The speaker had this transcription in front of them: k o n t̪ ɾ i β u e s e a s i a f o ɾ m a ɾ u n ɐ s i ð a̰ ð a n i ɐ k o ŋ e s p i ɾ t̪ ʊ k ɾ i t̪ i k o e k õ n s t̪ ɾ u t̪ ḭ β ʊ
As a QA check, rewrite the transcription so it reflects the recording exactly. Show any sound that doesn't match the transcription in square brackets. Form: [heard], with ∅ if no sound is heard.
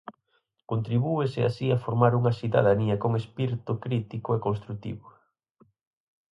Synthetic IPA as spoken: k o n t̪ ɾ i β u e s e a s i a f o ɾ m a ɾ u [ŋ] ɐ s i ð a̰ ð a n i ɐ k o ŋ e s p i ɾ t̪ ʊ k ɾ i t̪ i k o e k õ n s t̪ ɾ u t̪ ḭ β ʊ